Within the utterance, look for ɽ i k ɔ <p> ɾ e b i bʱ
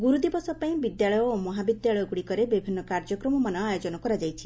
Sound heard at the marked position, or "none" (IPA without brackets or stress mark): none